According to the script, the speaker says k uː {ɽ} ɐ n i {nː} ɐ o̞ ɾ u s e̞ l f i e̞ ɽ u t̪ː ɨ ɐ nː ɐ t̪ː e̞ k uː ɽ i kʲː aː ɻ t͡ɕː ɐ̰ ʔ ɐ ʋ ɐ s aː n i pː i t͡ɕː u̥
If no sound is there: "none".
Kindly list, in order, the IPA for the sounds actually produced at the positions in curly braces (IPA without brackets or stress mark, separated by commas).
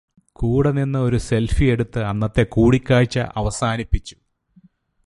ɽ, nː